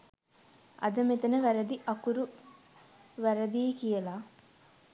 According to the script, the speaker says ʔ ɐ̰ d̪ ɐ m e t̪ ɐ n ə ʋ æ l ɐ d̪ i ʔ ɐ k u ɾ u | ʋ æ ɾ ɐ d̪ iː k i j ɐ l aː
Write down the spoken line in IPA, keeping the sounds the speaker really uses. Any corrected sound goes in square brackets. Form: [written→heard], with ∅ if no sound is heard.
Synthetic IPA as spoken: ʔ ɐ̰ d̪ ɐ m e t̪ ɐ n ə ʋ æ [l→ɾ] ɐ d̪ i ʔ ɐ k u ɾ u | ʋ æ ɾ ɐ d̪ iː k i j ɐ l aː